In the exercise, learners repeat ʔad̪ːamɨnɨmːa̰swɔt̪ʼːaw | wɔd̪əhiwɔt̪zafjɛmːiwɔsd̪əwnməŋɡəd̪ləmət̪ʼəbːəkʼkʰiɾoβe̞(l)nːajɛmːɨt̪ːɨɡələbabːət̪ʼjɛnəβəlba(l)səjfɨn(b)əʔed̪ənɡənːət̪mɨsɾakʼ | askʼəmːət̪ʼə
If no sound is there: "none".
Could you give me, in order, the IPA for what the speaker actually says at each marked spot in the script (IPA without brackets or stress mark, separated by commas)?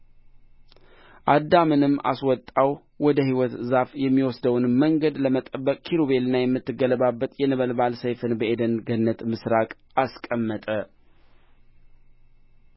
l, l, b